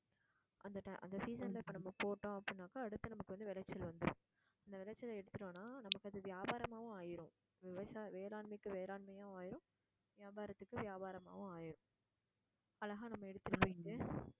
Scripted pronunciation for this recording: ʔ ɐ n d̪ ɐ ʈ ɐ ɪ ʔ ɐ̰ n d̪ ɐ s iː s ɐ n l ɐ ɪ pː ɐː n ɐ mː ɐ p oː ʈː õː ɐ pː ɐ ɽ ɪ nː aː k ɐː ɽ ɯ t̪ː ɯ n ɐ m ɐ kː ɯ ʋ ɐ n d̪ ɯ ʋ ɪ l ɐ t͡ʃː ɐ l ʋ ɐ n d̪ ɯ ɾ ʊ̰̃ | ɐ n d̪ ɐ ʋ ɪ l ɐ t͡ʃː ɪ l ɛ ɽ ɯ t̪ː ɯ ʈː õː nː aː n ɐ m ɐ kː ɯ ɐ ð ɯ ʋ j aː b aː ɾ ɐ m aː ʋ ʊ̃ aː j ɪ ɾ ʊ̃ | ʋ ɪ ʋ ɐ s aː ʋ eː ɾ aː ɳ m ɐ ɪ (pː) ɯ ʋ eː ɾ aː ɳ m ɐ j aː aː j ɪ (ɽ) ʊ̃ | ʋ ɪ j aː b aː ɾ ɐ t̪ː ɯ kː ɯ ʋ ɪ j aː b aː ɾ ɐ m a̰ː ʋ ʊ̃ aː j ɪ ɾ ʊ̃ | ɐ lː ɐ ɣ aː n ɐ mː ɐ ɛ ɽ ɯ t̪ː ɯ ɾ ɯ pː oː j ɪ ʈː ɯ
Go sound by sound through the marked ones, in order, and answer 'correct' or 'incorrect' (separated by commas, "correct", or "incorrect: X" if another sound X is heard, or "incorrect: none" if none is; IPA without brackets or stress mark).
incorrect: kː, incorrect: ɾ